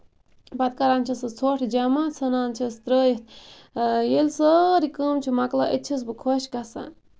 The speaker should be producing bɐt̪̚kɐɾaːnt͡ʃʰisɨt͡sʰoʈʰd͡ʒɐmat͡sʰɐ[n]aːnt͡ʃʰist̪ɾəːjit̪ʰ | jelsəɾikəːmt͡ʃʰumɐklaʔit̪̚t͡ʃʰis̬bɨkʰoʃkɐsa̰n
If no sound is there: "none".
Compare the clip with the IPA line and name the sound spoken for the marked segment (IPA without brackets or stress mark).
n